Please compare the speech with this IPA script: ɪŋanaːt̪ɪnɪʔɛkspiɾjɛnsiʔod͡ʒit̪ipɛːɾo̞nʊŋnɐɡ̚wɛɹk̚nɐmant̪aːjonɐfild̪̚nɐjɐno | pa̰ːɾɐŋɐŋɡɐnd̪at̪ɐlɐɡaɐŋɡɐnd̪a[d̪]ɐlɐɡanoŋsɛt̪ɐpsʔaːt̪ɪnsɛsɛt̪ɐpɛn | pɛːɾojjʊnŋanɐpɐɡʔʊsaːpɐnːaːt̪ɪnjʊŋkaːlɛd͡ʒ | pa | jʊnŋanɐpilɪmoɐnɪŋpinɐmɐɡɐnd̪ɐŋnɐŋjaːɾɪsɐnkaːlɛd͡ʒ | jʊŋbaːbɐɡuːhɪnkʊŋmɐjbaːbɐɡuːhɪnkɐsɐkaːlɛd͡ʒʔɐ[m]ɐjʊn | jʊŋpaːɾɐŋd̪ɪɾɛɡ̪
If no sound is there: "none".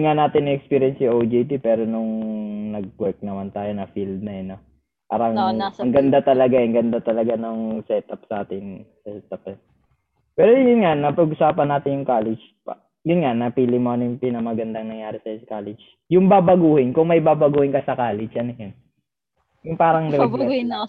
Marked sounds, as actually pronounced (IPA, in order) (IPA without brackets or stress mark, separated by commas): t̪, n